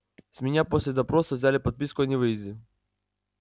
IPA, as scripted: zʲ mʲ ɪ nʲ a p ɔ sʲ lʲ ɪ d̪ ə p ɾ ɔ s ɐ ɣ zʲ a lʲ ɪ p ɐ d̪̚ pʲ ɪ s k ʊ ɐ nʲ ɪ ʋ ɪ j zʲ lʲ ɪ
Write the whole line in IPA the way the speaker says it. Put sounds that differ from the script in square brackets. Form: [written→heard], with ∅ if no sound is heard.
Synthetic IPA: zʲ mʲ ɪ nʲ a p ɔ sʲ lʲ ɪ d̪ [ə→ɐ] p ɾ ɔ s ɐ [ɣ→v] zʲ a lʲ ɪ p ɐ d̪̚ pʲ [ɪ→i] s k ʊ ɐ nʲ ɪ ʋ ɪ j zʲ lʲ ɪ